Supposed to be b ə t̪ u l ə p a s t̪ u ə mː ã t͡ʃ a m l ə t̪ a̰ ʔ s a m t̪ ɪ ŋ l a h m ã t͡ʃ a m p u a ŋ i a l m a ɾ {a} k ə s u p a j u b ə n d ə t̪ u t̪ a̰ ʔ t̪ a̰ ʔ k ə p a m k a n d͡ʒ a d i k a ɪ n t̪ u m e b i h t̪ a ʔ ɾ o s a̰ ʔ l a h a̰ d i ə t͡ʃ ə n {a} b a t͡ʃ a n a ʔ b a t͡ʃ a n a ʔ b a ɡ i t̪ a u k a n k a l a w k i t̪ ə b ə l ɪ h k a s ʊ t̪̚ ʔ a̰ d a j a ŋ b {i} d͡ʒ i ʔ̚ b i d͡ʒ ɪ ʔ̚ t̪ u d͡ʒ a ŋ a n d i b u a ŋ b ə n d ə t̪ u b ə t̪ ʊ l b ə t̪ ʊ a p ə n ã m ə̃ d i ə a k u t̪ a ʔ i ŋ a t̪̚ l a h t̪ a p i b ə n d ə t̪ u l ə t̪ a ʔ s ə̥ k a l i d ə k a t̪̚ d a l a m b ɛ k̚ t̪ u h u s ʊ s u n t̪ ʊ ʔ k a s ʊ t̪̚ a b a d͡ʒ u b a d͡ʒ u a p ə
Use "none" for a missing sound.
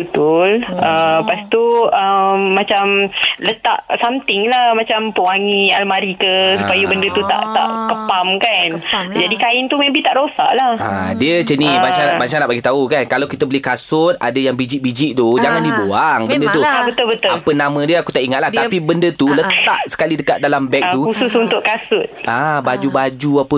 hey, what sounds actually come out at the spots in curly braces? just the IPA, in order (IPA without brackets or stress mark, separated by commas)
i, i, i